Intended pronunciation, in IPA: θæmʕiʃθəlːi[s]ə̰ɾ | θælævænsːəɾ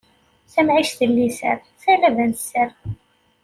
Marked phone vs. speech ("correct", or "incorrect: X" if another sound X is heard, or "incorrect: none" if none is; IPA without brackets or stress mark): correct